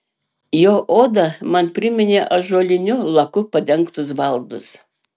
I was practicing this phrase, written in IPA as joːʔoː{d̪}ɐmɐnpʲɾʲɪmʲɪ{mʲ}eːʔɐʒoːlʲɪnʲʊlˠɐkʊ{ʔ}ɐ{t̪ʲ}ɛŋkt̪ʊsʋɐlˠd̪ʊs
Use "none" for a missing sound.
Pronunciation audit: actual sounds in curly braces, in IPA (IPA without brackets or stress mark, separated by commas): d̪, nʲ, p, d̪ʲ